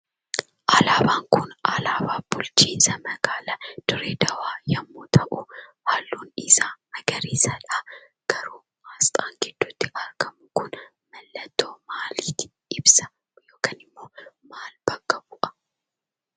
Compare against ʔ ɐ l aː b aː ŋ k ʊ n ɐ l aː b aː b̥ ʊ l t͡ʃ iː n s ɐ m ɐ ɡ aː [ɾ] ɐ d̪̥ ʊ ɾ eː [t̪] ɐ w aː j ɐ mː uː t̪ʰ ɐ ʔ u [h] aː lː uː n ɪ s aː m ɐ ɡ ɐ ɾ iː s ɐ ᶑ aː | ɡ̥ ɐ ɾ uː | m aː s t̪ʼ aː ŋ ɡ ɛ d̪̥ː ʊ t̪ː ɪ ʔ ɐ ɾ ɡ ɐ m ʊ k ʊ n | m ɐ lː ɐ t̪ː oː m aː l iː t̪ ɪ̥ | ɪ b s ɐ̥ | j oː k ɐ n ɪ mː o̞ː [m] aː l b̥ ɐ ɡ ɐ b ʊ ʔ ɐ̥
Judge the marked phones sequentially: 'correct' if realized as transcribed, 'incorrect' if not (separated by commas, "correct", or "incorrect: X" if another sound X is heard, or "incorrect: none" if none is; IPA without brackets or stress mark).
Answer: incorrect: l, incorrect: d̪, correct, correct